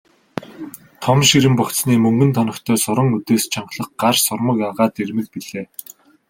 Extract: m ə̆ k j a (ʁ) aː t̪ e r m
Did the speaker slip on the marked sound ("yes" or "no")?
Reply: no